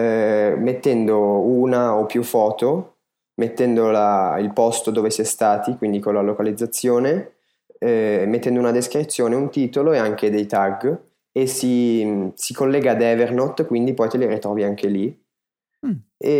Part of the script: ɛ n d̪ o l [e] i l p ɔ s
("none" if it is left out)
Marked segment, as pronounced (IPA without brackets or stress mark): a